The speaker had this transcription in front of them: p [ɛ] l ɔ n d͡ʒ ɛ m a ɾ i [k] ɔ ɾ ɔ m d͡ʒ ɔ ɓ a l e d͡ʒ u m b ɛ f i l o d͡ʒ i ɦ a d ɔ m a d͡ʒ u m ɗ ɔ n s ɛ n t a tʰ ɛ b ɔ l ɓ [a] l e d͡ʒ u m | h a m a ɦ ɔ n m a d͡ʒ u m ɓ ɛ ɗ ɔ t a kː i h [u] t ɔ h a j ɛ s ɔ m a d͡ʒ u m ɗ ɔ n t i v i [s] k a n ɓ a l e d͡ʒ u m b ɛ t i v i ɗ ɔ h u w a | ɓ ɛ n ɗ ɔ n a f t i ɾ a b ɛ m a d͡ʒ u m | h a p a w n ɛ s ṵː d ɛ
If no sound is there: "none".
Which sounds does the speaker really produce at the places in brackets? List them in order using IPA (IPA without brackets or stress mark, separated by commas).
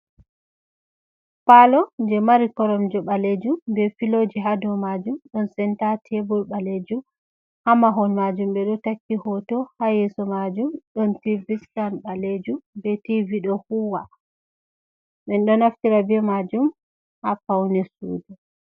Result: a, k, a, ɔ, s